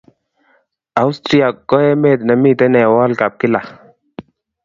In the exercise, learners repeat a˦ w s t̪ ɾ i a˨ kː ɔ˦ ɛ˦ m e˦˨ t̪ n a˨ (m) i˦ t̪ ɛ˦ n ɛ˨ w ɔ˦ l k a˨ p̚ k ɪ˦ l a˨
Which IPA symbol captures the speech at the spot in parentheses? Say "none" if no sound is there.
m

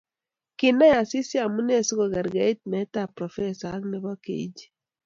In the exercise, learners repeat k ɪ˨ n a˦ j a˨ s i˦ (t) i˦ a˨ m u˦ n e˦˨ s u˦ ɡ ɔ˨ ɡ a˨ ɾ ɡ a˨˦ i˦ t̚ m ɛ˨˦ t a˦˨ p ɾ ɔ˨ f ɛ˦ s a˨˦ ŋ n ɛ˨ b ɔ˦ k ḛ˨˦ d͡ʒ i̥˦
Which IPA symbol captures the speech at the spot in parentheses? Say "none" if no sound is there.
s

